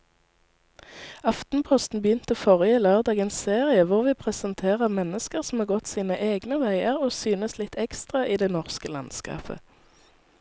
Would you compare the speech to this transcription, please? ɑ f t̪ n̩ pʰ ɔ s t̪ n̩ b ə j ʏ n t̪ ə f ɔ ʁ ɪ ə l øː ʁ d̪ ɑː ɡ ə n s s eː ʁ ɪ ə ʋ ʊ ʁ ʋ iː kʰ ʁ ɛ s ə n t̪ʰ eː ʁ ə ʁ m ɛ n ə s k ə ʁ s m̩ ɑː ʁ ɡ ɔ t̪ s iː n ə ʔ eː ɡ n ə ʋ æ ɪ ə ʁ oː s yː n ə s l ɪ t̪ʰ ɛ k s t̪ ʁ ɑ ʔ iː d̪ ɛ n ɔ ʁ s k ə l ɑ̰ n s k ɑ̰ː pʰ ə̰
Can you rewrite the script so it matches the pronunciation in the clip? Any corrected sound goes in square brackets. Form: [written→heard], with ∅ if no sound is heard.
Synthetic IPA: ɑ f t̪ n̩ pʰ ɔ s t̪ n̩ b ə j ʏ n t̪ ə f ɔ ʁ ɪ ə l øː ʁ d̪ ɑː ɡ ə n s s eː ʁ ɪ ə ʋ ʊ ʁ ʋ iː [kʰ→pʰ] ʁ ɛ s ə n t̪ʰ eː ʁ ə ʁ m ɛ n ə s k ə ʁ s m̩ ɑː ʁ ɡ ɔ t̪ s iː n ə ʔ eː ɡ n ə ʋ æ ɪ ə ʁ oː s yː n ə s l ɪ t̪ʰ ɛ k s t̪ ʁ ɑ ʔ iː d̪ ɛ n ɔ ʁ s k ə l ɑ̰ n s k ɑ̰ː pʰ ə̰